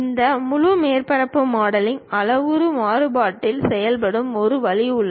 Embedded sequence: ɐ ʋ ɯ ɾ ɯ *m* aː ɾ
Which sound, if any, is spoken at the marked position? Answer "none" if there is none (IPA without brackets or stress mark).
m